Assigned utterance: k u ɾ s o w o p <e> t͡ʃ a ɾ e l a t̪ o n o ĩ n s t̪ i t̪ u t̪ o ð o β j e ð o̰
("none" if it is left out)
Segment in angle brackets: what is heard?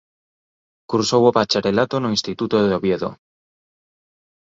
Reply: a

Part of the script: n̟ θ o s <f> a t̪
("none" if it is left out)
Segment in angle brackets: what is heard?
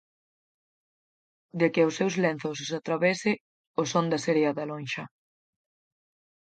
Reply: s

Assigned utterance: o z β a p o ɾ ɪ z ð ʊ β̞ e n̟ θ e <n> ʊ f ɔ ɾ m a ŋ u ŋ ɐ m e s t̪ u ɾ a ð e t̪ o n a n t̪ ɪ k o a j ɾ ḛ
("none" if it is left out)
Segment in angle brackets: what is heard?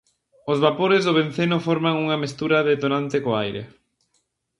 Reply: n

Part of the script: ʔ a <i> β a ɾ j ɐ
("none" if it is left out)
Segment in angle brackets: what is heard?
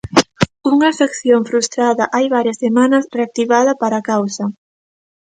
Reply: j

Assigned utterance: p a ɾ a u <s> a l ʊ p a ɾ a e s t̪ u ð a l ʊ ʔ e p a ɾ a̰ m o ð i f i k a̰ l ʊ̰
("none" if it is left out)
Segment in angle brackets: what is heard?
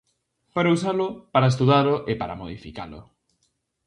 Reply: s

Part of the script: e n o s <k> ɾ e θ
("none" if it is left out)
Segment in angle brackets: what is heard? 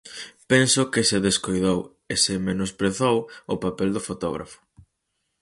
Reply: p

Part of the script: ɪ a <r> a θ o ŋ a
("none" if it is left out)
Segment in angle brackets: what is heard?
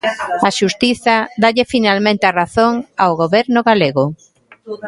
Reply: r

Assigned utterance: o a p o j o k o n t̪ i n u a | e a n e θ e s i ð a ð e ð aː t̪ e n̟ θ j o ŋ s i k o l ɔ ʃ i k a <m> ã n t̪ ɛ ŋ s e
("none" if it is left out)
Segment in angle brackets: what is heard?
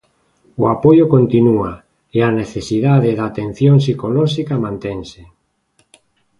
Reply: m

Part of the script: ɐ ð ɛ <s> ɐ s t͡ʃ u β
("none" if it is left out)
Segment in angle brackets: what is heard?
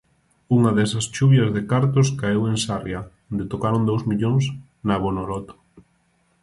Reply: s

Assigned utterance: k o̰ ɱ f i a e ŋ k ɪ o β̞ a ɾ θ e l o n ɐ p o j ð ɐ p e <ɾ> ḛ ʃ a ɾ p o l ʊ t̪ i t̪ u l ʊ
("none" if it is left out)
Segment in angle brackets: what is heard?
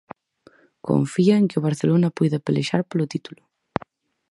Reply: l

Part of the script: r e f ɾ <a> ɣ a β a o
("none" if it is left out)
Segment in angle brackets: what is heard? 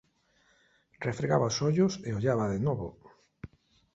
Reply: e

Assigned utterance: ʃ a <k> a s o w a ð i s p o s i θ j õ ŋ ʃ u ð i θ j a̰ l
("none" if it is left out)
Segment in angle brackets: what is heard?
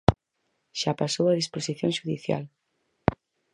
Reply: p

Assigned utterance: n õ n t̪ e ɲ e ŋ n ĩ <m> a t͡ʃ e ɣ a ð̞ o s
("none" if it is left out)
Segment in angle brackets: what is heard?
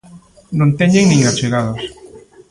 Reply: ŋ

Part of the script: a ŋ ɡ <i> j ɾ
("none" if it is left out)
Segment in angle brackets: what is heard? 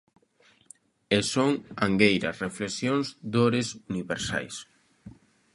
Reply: e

